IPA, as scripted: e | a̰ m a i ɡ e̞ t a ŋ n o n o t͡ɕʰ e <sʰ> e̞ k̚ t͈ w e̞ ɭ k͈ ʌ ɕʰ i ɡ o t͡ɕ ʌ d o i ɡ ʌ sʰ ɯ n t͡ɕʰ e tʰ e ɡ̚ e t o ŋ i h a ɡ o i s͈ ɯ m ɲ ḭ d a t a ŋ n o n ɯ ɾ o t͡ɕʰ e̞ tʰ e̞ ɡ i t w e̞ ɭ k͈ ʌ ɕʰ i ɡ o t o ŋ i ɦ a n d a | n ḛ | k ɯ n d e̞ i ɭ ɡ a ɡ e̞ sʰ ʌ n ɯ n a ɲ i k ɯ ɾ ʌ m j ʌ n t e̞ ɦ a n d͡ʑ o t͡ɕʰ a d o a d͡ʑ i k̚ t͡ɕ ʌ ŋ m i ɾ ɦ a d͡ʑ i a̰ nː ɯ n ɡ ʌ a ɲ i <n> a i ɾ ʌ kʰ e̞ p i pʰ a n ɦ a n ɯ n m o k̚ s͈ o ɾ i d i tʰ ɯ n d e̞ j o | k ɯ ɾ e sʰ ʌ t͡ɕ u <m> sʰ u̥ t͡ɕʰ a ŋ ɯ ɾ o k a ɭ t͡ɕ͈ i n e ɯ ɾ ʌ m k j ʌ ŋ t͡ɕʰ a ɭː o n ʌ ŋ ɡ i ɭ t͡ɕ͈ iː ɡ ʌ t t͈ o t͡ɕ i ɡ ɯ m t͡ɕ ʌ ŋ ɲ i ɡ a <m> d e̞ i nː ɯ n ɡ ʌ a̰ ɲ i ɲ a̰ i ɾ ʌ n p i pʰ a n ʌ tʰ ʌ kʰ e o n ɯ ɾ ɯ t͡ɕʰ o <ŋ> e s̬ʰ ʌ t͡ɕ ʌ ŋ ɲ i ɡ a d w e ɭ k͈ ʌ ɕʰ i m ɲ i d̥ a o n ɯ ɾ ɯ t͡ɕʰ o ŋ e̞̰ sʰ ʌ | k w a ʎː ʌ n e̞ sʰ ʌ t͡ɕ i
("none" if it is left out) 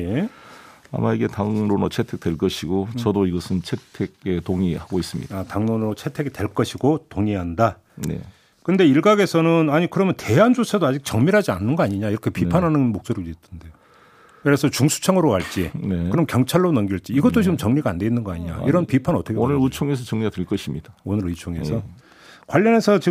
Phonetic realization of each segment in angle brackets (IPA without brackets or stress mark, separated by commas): tʰ, ɲ, ŋ, n, ŋ